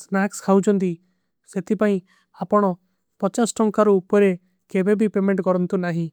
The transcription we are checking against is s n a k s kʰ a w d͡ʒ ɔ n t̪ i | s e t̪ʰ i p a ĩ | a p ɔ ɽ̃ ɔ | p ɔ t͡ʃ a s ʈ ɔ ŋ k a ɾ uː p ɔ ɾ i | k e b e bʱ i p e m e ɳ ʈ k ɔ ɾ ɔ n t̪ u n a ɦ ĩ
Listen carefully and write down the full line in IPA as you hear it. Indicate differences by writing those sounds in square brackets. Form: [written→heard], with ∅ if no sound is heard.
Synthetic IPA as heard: s n a k s kʰ a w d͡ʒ ɔ n t̪ i | s e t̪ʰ i p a ĩ | a p ɔ ɽ̃ ɔ | p ɔ t͡ʃ a s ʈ ɔ ŋ k a ɾ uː p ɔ ɾ [i→e] | k e b e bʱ i p e m e ɳ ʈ k ɔ ɾ ɔ n t̪ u n a ɦ ĩ